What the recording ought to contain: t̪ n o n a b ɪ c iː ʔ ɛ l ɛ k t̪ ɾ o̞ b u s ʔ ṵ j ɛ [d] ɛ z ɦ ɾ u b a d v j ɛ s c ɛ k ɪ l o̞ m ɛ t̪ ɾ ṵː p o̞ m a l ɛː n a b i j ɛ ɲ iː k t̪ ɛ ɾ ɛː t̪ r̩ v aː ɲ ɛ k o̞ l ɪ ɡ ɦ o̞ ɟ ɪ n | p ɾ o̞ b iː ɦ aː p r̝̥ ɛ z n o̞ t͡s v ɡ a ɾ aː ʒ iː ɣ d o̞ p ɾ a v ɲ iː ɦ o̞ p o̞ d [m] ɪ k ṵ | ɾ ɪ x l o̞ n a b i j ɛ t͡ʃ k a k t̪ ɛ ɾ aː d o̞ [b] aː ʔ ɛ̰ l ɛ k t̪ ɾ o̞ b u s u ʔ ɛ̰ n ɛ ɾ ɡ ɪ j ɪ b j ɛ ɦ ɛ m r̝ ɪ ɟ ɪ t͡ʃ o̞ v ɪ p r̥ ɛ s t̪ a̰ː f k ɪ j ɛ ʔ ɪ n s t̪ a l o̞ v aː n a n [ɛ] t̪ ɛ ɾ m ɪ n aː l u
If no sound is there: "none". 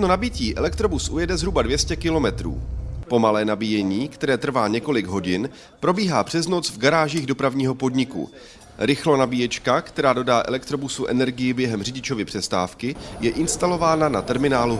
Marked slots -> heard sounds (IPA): d, ɲ, d, a

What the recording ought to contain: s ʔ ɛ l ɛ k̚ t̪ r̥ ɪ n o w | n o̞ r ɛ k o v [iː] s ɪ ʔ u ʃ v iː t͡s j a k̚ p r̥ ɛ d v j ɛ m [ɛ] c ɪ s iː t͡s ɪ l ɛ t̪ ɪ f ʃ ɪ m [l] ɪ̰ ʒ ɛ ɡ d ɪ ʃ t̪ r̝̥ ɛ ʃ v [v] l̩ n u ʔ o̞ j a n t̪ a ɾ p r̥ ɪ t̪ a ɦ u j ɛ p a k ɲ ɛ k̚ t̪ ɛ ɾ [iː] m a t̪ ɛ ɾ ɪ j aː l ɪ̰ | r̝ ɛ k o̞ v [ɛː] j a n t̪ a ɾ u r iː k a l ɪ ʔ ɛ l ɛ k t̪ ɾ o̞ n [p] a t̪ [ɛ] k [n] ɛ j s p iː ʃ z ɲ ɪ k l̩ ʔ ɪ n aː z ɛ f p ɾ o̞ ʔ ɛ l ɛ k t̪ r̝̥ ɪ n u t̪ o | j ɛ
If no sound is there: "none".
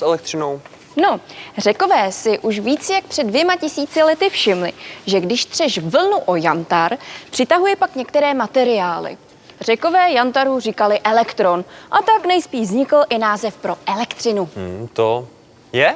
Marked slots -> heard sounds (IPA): ɛː, a, l, v, ɛː, ɛː, ʔ, a, n

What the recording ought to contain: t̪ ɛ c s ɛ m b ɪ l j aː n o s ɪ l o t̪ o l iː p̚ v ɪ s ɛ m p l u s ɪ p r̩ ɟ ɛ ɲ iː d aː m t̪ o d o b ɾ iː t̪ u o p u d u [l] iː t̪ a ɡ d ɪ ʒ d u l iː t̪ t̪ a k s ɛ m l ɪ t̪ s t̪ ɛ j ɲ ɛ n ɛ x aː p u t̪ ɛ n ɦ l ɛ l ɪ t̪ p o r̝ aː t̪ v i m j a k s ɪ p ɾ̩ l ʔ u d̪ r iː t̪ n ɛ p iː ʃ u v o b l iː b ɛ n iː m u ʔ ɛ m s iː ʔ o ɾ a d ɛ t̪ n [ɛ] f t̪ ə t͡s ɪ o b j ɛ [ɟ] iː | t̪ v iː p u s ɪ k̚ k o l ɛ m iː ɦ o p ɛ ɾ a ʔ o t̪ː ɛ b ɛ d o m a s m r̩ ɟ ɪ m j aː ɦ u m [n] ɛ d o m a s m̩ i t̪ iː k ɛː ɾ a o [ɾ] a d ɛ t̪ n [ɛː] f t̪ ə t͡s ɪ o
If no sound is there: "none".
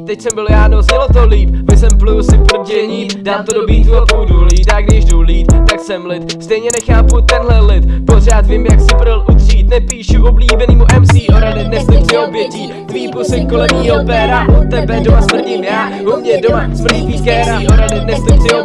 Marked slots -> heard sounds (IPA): l, ɛ, c, ɲ, ɾ, ɛ

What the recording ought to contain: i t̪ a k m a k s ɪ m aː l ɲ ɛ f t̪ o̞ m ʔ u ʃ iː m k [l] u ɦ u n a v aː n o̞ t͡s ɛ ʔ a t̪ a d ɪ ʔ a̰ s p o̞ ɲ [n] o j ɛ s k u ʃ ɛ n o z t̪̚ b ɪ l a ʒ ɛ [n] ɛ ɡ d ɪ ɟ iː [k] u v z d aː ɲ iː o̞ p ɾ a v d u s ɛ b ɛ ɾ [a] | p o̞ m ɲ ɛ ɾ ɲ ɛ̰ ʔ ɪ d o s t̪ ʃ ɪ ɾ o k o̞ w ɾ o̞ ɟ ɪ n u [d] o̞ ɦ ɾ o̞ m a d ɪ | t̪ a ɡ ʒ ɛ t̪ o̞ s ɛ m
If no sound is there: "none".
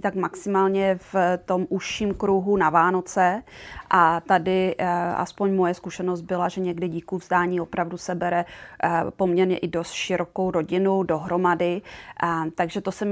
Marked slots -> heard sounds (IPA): ɾ, m, ɲ, k, ɛ, d

